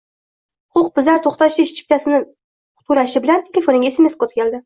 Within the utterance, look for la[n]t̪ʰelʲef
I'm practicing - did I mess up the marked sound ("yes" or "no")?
no